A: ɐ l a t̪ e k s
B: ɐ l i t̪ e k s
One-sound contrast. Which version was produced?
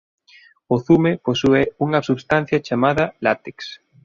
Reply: A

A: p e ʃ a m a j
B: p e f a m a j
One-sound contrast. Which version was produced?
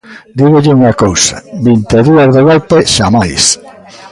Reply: A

